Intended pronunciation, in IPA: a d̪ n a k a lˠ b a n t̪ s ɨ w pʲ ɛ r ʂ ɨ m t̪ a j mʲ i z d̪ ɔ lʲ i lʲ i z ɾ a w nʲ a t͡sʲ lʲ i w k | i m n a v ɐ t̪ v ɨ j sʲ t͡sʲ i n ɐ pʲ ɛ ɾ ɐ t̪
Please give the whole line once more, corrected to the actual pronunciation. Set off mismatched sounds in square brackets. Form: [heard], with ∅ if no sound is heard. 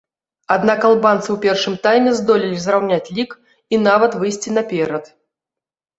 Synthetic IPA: a d̪ n a k a lˠ b a n t̪ s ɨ w pʲ ɛ r ʂ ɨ m t̪ a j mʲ [ɛ] z d̪ ɔ lʲ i lʲ i z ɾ a w nʲ a t͡sʲ lʲ i [∅] k | i [∅] n a v ɐ t̪ v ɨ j sʲ t͡sʲ i n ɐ pʲ ɛ ɾ ɐ t̪